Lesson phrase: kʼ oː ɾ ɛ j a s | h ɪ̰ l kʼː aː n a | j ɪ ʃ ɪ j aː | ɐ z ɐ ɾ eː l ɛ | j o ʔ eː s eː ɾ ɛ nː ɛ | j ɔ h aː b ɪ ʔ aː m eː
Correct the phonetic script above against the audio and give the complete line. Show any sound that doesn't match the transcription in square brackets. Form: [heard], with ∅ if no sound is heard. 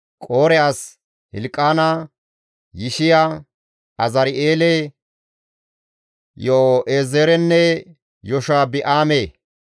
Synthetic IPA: kʼ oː ɾ ɛ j a s | h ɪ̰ l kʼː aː n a | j ɪ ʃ ɪ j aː | ɐ z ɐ ɾ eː l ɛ | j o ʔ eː [z] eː ɾ ɛ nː ɛ | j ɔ [ʃ] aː b ɪ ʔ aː m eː

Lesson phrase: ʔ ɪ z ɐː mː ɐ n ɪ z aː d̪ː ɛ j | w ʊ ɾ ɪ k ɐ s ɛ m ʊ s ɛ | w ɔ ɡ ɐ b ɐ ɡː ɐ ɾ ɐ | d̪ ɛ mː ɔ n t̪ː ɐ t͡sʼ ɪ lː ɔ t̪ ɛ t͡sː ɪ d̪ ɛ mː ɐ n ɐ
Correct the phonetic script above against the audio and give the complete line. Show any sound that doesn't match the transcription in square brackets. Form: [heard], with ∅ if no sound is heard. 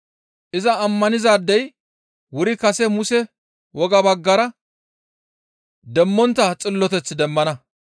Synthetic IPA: ʔ ɪ z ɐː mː ɐ n ɪ z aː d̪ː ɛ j | w ʊ ɾ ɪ k ɐ s ɛ m ʊ s ɛ | w ɔ ɡ ɐ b ɐ ɡː ɐ ɾ ɐ | d̪ ɛ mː ɔ n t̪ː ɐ t͡sʼ ɪ lː ɔ t̪ ɛ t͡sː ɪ d̪ ɛ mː ɐ n ɐ

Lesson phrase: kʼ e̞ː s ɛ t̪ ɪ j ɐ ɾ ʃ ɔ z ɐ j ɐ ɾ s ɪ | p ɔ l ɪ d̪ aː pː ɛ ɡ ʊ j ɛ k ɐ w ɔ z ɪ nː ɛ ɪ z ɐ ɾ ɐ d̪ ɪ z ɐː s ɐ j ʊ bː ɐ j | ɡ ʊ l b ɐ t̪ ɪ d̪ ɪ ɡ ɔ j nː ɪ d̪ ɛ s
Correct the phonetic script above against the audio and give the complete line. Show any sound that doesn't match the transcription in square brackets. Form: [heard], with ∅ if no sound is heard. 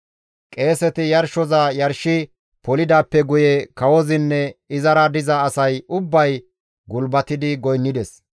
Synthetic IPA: kʼ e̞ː s ɛ t̪ ɪ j ɐ ɾ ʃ ɔ z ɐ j ɐ ɾ [ʃ] ɪ | p ɔ l ɪ d̪ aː pː ɛ ɡ ʊ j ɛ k ɐ w ɔ z ɪ nː ɛ ɪ z ɐ ɾ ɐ d̪ ɪ z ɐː s ɐ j ʊ bː ɐ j | ɡ ʊ l b ɐ t̪ ɪ d̪ ɪ ɡ ɔ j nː ɪ d̪ ɛ s

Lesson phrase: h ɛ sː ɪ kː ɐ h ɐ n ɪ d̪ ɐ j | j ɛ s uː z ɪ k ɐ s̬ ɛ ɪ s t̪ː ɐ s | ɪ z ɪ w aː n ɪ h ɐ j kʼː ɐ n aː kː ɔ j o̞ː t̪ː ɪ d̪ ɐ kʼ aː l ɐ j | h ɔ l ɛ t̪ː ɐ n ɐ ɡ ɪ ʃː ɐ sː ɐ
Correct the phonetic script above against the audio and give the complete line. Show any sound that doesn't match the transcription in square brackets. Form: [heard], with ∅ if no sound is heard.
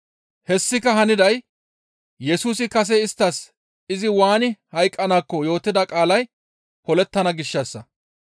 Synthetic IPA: h ɛ sː ɪ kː ɐ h ɐ n ɪ d̪ ɐ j | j ɛ s uː [s] ɪ k ɐ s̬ ɛ ɪ s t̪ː ɐ s | ɪ z ɪ w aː n ɪ h ɐ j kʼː ɐ n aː kː ɔ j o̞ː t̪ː ɪ d̪ ɐ kʼ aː l ɐ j | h ɔ l ɛ t̪ː ɐ n ɐ ɡ ɪ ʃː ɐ sː ɐ

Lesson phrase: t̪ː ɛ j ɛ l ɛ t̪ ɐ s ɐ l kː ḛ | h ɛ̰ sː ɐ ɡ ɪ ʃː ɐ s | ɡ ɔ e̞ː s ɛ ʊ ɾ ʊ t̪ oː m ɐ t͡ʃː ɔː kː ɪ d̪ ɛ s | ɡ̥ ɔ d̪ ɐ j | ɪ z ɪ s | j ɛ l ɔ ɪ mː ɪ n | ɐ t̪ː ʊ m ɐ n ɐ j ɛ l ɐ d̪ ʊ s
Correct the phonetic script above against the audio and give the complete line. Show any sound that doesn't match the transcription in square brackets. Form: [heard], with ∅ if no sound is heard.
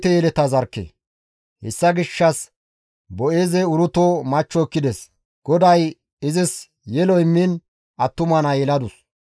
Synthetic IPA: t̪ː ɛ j ɛ l ɛ t̪ ɐ [z] ɐ [ɾ] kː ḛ | h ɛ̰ sː ɐ ɡ ɪ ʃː ɐ s | [b] ɔ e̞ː [z] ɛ ʊ ɾ ʊ t̪ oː m ɐ t͡ʃː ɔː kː ɪ d̪ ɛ s | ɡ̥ ɔ d̪ ɐ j | ɪ z ɪ s | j ɛ l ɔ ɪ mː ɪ n | ɐ t̪ː ʊ m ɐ n ɐ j ɛ l ɐ d̪ ʊ s

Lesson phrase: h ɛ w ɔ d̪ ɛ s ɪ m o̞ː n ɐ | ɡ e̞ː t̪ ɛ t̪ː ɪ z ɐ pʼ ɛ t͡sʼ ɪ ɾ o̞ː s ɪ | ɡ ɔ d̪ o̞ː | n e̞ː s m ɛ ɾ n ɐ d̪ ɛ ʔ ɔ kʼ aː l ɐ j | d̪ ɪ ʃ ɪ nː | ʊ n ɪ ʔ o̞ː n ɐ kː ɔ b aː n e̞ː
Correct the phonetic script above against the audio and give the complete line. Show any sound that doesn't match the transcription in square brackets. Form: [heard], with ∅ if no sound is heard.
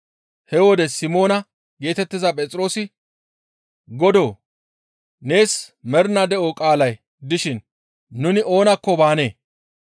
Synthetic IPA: h ɛ w ɔ d̪ ɛ s ɪ m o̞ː n ɐ | ɡ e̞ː t̪ ɛ t̪ː ɪ z ɐ pʼ ɛ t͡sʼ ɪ ɾ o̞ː s ɪ | ɡ ɔ d̪ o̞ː | n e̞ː s m ɛ ɾ n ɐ d̪ ɛ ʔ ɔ kʼ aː l ɐ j | d̪ ɪ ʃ ɪ nː | ʊ n ɪ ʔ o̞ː n ɐ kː ɔ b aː n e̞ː

